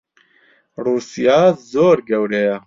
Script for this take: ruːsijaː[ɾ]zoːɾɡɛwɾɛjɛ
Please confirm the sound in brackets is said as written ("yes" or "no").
no